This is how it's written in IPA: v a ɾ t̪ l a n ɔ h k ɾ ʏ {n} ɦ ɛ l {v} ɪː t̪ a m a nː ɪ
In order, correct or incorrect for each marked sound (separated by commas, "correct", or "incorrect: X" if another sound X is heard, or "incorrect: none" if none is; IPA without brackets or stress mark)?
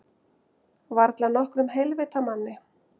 incorrect: m, correct